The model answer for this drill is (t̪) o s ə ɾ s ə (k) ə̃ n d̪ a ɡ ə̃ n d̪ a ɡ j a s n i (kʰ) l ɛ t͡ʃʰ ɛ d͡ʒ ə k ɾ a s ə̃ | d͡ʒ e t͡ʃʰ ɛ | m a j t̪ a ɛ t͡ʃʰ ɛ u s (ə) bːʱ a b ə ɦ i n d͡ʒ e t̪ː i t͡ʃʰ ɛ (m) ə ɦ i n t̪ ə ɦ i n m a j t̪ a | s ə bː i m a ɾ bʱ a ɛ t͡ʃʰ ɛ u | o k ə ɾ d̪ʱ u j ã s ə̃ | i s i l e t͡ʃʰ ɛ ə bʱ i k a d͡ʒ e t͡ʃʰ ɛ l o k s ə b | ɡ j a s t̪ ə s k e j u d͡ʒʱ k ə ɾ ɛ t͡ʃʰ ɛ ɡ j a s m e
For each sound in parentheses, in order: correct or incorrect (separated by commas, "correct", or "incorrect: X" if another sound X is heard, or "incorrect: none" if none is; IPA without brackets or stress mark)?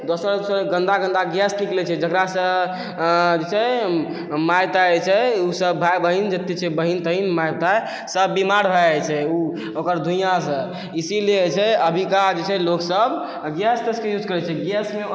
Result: incorrect: d̪, incorrect: ɡ, incorrect: k, correct, incorrect: b